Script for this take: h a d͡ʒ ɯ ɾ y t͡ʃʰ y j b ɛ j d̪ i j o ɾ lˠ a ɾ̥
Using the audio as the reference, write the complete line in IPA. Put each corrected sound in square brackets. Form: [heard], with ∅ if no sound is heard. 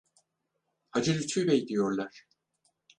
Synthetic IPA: h a d͡ʒ ɯ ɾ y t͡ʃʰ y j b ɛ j d̪ i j o ɾ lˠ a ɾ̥